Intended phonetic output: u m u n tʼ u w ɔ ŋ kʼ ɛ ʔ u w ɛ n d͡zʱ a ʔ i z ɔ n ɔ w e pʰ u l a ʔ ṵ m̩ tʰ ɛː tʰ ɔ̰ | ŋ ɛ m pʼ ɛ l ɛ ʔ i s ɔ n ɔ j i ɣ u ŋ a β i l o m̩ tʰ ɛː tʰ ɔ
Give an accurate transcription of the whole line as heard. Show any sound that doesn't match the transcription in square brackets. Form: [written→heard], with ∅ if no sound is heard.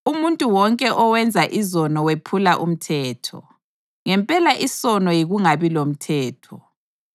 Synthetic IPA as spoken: u m u n tʼ u w ɔ ŋ kʼ ɛ ʔ [u→ɔ] w ɛ n d͡zʱ a ʔ i z ɔ n ɔ w e pʰ u l a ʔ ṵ m̩ tʰ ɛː tʰ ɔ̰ | ŋ ɛ m pʼ ɛ l [ɛ→a] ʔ i s ɔ n ɔ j i ɣ u ŋ a β i l o m̩ tʰ ɛː tʰ ɔ